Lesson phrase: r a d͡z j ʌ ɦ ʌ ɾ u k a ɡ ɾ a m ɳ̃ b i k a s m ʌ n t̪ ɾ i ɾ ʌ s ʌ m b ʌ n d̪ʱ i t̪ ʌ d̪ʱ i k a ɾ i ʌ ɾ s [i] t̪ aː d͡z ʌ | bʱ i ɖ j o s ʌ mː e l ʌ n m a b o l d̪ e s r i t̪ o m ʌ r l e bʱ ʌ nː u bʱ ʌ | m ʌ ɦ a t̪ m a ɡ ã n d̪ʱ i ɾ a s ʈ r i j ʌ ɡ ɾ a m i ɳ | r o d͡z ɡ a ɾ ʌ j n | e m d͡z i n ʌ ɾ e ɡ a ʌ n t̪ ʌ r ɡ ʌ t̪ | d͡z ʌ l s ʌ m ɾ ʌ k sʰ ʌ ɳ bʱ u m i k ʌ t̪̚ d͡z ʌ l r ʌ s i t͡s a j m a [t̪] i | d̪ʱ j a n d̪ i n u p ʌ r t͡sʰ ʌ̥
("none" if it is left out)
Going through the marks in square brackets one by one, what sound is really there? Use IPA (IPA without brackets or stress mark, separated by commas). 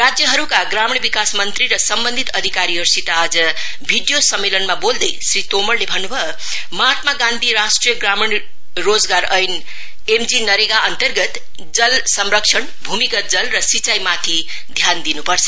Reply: i, t̪ʰ